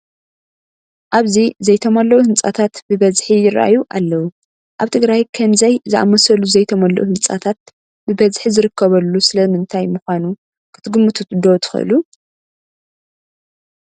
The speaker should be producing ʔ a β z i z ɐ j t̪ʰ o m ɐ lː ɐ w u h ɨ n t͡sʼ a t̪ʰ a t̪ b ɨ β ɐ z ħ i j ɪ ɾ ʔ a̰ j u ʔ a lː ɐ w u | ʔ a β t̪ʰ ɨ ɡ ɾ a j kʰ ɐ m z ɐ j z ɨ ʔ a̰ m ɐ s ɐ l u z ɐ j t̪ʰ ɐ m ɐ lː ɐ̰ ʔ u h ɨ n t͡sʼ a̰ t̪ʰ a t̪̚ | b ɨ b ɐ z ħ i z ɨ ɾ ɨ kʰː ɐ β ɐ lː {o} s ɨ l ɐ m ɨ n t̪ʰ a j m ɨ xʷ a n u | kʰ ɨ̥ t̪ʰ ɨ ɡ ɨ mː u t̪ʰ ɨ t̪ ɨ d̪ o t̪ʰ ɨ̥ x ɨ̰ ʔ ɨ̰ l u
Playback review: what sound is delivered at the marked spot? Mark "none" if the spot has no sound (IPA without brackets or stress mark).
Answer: u